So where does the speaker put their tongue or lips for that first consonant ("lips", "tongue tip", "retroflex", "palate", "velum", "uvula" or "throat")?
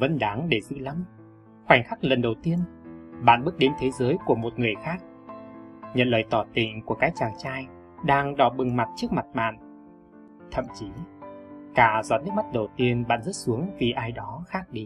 lips